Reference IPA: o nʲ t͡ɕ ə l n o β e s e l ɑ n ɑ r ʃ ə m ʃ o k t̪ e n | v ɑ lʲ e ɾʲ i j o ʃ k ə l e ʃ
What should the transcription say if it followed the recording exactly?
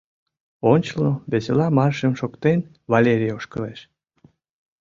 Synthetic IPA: o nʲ t͡ɕ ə l n o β e s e l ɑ m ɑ r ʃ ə m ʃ o k t̪ e n | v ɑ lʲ e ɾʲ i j o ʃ k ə l e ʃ